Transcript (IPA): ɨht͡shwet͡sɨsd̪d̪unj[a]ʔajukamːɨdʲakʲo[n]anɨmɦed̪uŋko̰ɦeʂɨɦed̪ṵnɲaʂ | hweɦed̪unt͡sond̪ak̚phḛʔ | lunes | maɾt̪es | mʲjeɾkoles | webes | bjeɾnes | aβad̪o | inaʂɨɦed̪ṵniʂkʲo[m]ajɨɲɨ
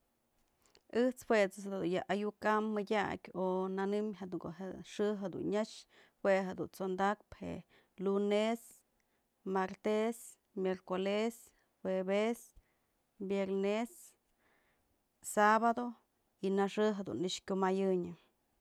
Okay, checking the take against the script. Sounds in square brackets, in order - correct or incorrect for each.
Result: correct, correct, correct

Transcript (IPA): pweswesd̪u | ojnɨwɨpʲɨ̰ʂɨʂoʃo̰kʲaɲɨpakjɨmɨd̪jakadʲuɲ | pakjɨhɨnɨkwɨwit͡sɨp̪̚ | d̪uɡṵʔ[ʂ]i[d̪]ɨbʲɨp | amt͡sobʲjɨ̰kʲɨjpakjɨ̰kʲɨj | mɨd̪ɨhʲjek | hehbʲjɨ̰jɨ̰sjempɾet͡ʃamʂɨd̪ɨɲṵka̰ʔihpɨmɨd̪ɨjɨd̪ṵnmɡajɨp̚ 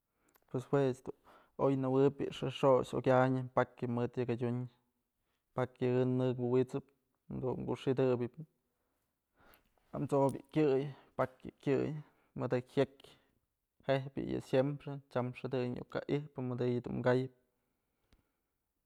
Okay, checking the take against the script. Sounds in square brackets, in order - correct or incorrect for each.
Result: correct, correct

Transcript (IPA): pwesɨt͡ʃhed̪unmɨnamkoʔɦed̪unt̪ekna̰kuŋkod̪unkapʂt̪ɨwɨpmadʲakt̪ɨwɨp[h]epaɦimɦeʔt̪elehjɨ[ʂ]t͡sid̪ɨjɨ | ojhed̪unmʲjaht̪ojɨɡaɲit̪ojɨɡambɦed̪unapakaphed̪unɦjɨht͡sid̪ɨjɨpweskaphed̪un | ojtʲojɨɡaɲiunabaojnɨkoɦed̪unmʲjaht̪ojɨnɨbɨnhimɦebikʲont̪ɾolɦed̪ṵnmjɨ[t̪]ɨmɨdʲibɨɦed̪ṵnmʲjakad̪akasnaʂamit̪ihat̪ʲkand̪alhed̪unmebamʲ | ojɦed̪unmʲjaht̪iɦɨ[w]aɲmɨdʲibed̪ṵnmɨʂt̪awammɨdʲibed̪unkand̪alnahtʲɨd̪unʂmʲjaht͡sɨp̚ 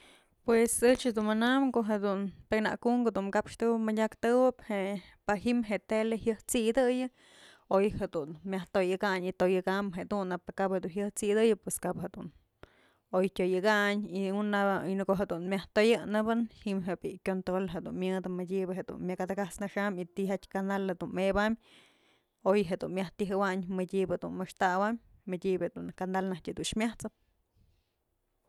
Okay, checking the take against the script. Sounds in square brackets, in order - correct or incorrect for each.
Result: correct, incorrect, incorrect, correct

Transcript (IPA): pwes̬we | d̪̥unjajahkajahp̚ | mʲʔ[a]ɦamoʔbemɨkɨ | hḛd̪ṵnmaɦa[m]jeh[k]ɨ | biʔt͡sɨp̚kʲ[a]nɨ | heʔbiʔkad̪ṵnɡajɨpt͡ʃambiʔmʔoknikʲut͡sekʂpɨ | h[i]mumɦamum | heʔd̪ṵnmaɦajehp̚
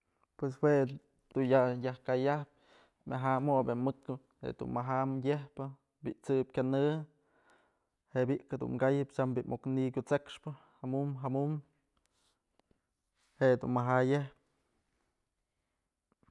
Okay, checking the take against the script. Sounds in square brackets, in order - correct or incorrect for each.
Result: correct, correct, incorrect, correct, incorrect

